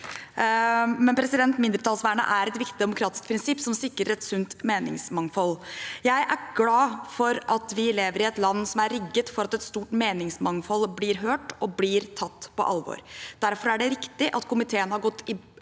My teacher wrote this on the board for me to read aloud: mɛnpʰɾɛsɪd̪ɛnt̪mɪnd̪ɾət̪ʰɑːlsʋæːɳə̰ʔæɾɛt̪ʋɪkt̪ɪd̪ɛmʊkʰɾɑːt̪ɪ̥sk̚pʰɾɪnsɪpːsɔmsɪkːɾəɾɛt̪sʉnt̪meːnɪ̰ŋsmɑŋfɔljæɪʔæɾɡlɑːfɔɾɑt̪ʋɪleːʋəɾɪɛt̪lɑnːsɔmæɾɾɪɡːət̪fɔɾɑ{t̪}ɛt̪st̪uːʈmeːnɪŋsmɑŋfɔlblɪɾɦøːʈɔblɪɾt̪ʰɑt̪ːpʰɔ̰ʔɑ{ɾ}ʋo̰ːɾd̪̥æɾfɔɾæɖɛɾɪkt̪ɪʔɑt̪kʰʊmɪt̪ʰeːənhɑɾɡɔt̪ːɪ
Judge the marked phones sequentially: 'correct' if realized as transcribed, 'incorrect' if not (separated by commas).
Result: correct, incorrect